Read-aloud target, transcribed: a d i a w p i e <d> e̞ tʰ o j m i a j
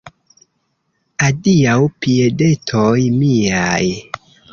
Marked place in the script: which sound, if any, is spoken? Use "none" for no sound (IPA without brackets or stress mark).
d